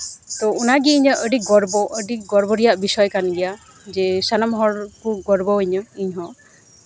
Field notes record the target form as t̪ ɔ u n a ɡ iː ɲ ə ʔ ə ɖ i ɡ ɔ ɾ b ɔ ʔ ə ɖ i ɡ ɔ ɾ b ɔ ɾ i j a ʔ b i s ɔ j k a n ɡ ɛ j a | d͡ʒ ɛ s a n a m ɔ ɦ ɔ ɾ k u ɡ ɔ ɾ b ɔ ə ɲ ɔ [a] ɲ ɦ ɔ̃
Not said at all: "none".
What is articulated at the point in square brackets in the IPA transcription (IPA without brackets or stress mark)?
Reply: i